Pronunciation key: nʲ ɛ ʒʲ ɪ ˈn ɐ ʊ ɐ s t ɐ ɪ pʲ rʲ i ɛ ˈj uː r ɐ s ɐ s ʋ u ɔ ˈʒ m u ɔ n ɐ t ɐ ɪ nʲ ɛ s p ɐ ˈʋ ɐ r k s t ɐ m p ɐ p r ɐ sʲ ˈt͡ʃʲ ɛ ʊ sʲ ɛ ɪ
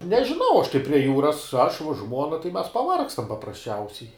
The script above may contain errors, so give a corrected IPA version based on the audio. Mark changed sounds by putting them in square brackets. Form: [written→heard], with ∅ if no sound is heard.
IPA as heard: nʲ ɛ ʒʲ ɪ ˈn ɐ ʊ ɐ [s→ʃ] t ɐ ɪ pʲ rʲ i ɛ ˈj uː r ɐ s ɐ [s→ʃ] ʋ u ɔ ˈʒ m u ɔ n ɐ t ɐ ɪ [nʲ→mʲ] ɛ s p ɐ ˈʋ ɐ r k s t ɐ m p ɐ p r ɐ sʲ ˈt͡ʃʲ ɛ ʊ sʲ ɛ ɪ